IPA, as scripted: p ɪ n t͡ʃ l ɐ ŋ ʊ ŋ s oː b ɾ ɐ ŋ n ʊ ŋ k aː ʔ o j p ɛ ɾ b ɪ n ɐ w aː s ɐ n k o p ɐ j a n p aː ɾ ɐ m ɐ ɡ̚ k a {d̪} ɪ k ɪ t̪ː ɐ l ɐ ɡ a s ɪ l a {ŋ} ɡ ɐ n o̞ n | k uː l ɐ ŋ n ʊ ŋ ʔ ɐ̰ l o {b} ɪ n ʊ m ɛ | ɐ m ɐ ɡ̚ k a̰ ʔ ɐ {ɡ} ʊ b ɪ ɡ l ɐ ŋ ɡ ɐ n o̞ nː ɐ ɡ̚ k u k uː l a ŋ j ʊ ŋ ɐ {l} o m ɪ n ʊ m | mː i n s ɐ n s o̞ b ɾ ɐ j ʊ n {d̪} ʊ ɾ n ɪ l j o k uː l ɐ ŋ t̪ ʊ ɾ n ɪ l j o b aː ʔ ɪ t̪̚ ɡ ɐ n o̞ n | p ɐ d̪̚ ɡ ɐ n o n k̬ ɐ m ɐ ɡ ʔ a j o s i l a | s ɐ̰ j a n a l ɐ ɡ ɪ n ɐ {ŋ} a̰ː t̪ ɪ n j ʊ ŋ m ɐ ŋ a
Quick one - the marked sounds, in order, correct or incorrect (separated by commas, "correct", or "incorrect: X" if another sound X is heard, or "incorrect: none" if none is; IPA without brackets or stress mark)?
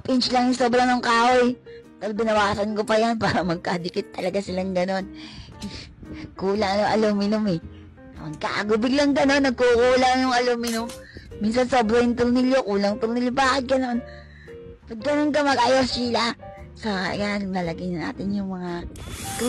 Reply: correct, correct, incorrect: m, correct, correct, incorrect: t̪, incorrect: n